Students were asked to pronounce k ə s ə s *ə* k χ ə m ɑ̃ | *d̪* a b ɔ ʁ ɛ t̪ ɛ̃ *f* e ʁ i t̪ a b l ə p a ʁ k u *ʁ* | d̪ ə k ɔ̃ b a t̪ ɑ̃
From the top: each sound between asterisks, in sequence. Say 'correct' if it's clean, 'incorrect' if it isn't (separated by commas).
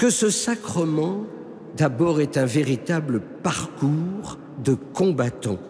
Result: incorrect, correct, incorrect, correct